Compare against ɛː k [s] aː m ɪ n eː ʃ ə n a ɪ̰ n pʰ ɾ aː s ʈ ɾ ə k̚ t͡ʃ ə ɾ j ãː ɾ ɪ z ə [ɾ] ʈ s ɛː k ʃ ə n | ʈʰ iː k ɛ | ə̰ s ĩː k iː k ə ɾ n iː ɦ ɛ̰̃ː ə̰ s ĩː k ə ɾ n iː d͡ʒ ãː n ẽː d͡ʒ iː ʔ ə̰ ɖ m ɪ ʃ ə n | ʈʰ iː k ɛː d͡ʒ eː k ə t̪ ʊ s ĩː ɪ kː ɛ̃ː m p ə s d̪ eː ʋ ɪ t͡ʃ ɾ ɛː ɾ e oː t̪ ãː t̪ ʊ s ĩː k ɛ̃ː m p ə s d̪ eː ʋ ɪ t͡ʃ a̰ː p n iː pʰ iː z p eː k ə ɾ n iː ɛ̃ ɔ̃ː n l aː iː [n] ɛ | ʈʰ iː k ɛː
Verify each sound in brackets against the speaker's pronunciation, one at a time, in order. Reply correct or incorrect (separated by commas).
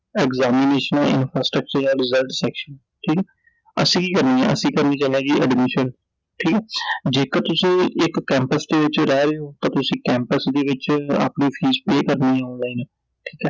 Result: incorrect, incorrect, correct